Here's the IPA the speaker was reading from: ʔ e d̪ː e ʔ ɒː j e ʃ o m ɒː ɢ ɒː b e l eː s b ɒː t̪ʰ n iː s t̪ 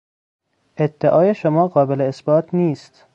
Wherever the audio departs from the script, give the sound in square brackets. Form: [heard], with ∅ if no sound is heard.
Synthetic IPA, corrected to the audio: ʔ e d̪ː e ʔ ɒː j e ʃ o m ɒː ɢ ɒː b e l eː s b ɒː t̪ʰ n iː s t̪

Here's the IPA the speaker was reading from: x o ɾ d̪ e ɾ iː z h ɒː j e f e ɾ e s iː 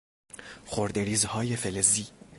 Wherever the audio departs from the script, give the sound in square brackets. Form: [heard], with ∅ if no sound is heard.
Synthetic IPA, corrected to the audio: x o ɾ d̪ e ɾ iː z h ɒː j e f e [l] e [z] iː

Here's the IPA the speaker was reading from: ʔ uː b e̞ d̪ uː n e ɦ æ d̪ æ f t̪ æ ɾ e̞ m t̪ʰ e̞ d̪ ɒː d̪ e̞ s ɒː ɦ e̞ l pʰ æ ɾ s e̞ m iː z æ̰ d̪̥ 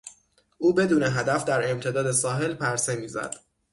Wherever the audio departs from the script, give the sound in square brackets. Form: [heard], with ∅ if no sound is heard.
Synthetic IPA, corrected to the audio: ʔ uː b e̞ d̪ uː n e ɦ æ d̪ æ f [d̪] æ ɾ e̞ m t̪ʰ e̞ d̪ ɒː d̪ e̞ s ɒː ɦ e̞ l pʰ æ ɾ s e̞ m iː z æ̰ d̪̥

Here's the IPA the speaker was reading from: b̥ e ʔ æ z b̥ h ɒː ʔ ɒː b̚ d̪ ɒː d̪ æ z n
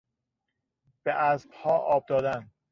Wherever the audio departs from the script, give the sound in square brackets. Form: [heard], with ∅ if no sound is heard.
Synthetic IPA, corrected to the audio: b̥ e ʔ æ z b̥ h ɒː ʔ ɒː b̚ d̪ ɒː d̪ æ [∅] n

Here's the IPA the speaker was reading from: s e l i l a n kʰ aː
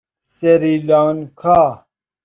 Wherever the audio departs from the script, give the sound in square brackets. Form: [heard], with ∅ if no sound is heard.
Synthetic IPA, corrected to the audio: s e [ɾ] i l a n kʰ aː

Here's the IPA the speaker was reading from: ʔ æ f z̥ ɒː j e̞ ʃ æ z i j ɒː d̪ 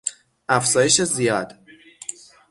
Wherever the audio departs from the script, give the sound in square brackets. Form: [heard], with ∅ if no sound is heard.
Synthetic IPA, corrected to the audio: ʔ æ f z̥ ɒː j e̞ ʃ [e] z i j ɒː d̪

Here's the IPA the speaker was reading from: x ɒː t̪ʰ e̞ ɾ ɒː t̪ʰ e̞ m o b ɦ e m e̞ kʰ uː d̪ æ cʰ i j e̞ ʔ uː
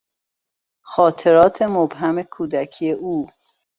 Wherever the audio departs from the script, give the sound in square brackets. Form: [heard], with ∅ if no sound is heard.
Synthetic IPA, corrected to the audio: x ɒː t̪ʰ e̞ ɾ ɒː t̪ʰ e̞ m o b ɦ [æ] m e̞ kʰ uː d̪ æ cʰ i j e̞ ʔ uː

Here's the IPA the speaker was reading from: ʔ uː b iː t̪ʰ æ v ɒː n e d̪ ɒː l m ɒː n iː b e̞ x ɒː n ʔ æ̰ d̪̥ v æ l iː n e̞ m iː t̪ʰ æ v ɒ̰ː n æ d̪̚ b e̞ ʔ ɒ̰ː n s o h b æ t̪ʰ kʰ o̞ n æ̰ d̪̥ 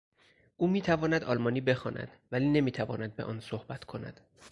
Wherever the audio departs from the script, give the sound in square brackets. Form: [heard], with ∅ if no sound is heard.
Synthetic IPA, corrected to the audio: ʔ uː [m] iː t̪ʰ æ v ɒː n [æ] d̪ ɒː l m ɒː n iː b e̞ x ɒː n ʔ æ̰ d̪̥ v æ l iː n e̞ m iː t̪ʰ æ v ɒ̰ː n æ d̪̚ b e̞ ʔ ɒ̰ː n s o h b æ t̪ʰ kʰ o̞ n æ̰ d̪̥

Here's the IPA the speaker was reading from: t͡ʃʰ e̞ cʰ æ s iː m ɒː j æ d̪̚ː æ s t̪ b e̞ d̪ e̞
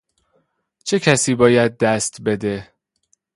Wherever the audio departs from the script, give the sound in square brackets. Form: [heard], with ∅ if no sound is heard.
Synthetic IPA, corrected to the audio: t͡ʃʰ e̞ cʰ æ s iː [b] ɒː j æ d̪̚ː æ s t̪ b e̞ d̪ e̞

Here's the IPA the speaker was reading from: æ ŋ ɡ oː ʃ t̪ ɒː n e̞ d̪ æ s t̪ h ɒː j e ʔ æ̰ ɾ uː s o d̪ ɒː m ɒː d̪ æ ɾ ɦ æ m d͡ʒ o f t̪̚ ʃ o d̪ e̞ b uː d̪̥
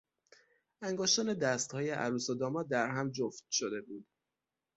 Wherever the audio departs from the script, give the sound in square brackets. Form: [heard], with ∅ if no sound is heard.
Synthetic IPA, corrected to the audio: æ ŋ ɡ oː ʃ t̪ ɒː n e̞ d̪ æ s t̪ h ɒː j e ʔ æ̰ ɾ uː s o d̪ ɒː m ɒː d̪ æ ɾ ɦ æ m d͡ʒ o f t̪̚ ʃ o d̪ e̞ b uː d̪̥

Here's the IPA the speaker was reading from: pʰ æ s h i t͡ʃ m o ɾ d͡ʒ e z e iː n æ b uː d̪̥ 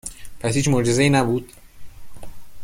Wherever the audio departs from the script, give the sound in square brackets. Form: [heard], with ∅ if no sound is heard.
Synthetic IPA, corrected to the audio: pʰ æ s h [iː] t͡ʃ m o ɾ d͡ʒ e z e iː n æ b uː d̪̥

